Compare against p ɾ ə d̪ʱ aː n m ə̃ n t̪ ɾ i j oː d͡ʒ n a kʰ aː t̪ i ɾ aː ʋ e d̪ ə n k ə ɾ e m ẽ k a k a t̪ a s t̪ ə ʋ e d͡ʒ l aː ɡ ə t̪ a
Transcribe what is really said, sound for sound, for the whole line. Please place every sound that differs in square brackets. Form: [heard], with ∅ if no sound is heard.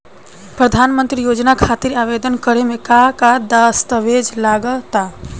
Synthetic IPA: p ɾ ə d̪ʱ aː n m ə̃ n t̪ ɾ i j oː d͡ʒ n a kʰ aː t̪ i ɾ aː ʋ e d̪ ə n k ə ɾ e m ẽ k a k a [d̪] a s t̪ ə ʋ e d͡ʒ l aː ɡ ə t̪ a